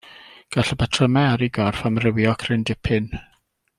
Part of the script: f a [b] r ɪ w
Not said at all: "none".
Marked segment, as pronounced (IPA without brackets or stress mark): m